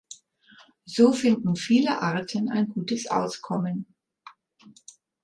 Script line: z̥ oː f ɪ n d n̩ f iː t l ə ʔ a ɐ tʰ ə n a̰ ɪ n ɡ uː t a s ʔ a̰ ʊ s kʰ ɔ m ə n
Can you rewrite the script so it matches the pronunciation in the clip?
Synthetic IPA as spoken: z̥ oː f ɪ n d n̩ f iː l ə ʔ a ɐ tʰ ə n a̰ ɪ n ɡ uː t ə s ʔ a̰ ʊ s kʰ ɔ m ə n